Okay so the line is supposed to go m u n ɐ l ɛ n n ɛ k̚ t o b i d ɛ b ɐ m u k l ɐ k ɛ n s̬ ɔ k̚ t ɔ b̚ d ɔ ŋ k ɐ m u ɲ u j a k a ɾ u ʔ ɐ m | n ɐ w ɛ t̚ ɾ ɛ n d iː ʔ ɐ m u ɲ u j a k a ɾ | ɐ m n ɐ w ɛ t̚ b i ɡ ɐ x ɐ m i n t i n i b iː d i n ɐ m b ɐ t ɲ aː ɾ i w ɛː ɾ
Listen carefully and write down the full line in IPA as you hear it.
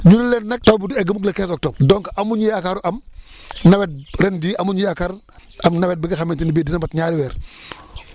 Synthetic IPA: ɲ u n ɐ l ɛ n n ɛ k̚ t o b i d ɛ ɡ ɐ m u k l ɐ k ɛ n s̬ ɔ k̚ t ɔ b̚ d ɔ ŋ k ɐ m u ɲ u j a k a ɾ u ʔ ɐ m | n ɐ w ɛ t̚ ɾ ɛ n d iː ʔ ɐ m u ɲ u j a k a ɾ | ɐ m n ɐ w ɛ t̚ b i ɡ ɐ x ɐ m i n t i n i b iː d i n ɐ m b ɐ t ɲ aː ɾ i w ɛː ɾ

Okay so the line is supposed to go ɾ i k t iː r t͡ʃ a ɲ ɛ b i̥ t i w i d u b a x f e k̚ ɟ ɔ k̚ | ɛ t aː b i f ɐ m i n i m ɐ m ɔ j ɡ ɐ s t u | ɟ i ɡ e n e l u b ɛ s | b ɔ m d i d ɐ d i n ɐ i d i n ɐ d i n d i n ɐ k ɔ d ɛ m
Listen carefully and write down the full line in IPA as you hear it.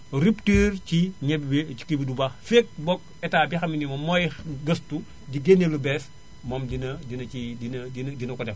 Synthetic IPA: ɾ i p t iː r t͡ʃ i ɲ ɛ b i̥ k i b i d u b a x f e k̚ b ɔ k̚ | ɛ t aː b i x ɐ m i n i m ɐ m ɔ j ɡ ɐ s t u | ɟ i ɡ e n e l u b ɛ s | m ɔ m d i n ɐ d i n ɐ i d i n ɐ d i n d i n ɐ k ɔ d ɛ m

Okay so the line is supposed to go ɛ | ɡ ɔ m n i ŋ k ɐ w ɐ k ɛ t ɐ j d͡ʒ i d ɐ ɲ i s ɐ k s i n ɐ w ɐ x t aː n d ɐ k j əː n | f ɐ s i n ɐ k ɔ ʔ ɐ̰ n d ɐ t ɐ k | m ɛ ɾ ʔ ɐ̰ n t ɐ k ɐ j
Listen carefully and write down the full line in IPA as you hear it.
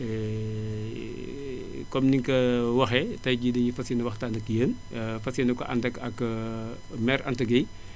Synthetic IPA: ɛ | k ɔ m n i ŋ k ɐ w ɐ x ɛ t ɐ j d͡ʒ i d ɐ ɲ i f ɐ s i n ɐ w ɐ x t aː n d ɐ k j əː n | f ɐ s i n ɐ k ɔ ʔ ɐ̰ n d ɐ k ɐ k | m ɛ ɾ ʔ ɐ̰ n t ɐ ɡ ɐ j

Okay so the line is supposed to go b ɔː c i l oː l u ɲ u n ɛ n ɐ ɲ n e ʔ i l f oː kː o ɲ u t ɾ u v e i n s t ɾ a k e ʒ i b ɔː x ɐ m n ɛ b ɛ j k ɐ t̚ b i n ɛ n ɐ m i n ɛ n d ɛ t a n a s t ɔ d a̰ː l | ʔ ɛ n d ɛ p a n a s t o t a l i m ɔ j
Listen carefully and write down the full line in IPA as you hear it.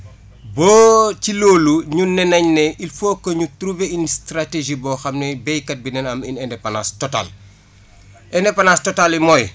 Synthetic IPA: b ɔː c i l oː l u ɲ u n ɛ n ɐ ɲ n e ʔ i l f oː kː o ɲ u t ɾ u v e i n s t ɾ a t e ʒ i b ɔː x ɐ m n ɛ b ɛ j k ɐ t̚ b i n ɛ n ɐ m i n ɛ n d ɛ p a n a s t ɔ t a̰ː l | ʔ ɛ n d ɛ p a n a s t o t a l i m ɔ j

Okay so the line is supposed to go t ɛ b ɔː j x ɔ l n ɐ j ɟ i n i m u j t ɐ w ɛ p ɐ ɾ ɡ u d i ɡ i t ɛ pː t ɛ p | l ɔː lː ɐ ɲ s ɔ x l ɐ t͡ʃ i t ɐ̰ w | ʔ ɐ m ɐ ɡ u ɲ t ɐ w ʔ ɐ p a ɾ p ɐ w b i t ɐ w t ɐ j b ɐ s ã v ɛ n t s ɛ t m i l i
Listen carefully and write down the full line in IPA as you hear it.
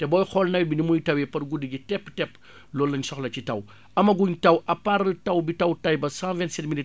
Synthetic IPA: t ɛ b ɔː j x ɔ l n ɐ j b i n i m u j t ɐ w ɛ p ɐ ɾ ɡ u d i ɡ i t ɛ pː t ɛ p | l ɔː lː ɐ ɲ s ɔ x l ɐ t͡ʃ i t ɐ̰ w | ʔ ɐ m ɐ ɡ u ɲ t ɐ w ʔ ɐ p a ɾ t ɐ w b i t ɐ w t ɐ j b ɐ s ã v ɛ n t s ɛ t m i l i

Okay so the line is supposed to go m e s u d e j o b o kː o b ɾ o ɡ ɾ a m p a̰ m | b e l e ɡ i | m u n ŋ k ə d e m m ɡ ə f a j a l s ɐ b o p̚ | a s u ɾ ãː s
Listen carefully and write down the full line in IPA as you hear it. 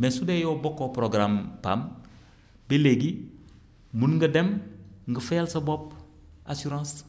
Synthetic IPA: m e s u d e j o b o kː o p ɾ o ɡ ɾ a m p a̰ m | b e l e ɡ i | m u n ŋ ɡ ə d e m ŋ ɡ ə f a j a l s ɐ b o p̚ | a s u ɾ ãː s

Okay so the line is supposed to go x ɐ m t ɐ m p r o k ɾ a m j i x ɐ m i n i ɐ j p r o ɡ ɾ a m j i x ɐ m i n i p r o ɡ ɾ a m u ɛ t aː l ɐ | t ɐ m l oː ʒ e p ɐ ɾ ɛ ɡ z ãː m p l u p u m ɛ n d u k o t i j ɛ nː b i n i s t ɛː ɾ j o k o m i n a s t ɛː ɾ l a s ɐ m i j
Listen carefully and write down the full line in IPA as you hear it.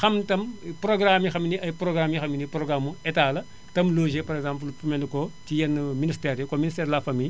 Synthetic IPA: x ɐ m t ɐ m p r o ɡ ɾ a m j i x ɐ m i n i ɐ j p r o ɡ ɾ a m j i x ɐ m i n i p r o ɡ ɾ a m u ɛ t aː l ɐ | t ɐ m l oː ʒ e p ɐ ɾ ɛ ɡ z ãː m p l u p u m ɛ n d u k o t i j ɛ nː m i n i s t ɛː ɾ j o k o m i n i s t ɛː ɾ l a f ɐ m i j

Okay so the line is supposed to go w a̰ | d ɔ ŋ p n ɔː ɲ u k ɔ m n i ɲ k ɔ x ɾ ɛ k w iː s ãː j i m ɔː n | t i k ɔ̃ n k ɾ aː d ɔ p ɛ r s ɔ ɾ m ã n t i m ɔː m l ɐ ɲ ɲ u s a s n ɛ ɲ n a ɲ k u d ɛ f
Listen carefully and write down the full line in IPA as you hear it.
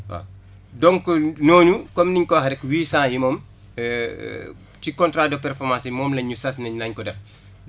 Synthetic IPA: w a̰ | d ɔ ŋ k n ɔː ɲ u k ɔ m n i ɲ k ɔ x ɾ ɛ k w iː s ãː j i m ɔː m | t i k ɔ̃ n t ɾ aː d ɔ p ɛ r f ɔ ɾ m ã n s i m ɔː m l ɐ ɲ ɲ u s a s n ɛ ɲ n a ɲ k ɔ d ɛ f

